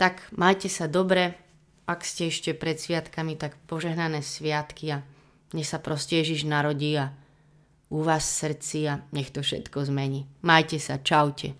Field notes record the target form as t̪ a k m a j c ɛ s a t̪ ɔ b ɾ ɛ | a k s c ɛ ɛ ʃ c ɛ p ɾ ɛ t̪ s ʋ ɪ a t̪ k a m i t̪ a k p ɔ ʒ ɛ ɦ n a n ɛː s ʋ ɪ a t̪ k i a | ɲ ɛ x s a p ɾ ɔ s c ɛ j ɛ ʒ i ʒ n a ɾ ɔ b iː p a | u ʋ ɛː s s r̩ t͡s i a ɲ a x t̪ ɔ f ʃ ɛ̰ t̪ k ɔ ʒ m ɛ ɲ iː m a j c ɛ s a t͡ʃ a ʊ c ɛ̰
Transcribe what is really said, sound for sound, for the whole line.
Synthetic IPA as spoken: t̪ a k m a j c ɛ s a d̪ ɔ b ɾ ɛ | a k s c ɛ ɛ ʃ c ɛ p ɾ ɛ t̪ s ʋ ɪ a t̪ k a m i t̪ a k p ɔ ʒ ɛ ɦ n a n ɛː s ʋ ɪ a t̪ k i a | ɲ ɛ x s a p ɾ ɔ s c ɛ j ɛ ʒ i ʒ n a ɾ ɔ ɟ iː a | u ʋ aː s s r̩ t͡s i a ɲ ɛ x t̪ ɔ f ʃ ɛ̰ t̪ k ɔ z m ɛ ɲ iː m a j c ɛ s a t͡ʃ a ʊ c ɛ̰